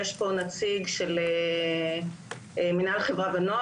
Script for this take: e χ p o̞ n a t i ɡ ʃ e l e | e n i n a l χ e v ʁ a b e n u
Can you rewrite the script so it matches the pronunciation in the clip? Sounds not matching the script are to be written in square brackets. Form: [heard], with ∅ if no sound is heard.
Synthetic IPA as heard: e [ʃ] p o̞ n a [t͡s] i ɡ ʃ e l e | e [m] i n a l χ e v ʁ a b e n [o]